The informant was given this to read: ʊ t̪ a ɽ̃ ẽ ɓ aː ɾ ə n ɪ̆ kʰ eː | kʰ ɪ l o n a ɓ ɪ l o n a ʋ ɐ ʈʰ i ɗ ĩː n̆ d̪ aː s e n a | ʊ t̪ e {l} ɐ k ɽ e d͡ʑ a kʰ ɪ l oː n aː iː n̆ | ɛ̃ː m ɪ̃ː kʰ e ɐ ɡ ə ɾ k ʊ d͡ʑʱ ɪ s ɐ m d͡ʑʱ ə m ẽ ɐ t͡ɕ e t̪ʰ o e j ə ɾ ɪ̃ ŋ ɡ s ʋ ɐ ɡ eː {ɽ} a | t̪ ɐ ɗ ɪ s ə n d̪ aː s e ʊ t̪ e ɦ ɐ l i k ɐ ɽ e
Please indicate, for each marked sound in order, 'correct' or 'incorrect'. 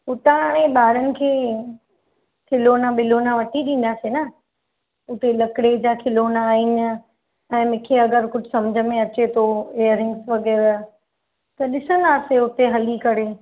correct, incorrect: ɾ

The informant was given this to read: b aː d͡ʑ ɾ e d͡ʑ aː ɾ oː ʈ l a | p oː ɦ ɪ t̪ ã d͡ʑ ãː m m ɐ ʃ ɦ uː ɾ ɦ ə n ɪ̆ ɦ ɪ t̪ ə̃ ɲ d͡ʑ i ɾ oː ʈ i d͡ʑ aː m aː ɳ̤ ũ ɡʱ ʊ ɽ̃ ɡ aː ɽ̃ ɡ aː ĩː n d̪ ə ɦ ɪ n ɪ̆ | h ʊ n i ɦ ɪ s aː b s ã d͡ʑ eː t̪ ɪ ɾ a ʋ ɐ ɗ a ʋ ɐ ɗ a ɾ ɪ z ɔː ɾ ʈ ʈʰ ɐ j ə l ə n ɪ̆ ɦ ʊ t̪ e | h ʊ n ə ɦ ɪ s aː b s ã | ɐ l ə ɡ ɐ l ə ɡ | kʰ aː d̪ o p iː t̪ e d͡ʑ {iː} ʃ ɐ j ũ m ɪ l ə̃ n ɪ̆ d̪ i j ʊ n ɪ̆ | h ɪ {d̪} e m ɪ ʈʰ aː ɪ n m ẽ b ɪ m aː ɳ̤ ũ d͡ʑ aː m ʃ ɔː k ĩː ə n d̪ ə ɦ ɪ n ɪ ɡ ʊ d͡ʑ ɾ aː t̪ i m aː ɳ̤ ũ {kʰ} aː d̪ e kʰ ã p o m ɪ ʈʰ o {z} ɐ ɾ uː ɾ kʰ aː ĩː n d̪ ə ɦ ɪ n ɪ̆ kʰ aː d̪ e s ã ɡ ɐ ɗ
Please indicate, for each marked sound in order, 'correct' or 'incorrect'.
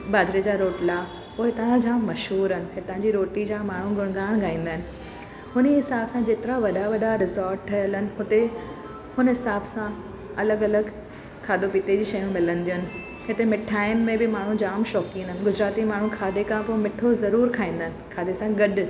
correct, incorrect: t̪, correct, correct

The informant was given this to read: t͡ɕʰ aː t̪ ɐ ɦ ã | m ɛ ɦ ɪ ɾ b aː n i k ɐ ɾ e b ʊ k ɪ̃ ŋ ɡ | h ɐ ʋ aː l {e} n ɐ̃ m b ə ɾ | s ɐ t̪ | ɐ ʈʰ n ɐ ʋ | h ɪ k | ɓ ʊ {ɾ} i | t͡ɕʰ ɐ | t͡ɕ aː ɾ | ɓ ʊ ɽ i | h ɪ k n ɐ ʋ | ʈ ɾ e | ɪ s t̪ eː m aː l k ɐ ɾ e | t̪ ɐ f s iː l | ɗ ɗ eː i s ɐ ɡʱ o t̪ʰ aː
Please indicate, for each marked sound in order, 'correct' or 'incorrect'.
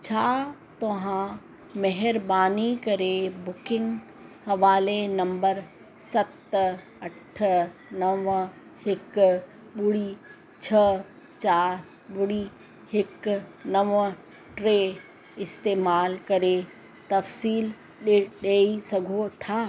correct, incorrect: ɽ

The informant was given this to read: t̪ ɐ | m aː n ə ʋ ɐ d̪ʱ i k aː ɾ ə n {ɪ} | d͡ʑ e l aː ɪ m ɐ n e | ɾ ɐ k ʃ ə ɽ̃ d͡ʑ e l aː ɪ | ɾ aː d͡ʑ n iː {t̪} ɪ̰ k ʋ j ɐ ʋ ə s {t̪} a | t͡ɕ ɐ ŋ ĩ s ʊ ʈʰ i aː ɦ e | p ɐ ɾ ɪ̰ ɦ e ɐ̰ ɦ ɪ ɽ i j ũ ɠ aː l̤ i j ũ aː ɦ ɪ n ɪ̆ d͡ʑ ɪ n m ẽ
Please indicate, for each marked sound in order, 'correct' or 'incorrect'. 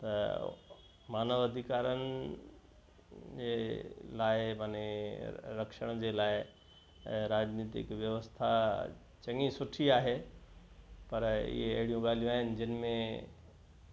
correct, correct, incorrect: t̪ʰ

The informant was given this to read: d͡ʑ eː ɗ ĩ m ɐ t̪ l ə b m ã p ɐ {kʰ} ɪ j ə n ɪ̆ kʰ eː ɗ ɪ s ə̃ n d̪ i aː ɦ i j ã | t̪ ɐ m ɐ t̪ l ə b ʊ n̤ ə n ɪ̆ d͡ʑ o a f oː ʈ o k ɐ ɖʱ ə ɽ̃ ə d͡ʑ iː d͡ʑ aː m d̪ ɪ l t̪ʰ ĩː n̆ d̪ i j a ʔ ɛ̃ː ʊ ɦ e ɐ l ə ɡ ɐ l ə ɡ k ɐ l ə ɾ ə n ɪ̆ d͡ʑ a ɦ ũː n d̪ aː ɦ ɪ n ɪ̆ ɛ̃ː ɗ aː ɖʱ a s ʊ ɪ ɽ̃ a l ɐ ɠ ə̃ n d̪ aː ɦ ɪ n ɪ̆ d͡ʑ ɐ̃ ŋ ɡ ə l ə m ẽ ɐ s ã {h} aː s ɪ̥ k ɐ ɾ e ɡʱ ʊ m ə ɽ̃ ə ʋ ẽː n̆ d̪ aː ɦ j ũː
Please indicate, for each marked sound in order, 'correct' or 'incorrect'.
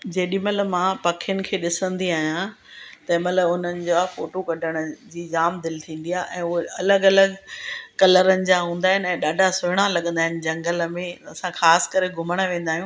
correct, incorrect: x

